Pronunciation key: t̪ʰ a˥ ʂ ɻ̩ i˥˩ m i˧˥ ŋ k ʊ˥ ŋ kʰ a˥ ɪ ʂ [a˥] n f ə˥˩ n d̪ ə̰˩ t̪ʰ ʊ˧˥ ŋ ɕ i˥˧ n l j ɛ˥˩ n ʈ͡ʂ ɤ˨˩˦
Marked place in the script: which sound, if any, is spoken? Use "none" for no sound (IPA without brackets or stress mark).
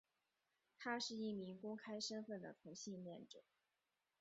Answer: ə˥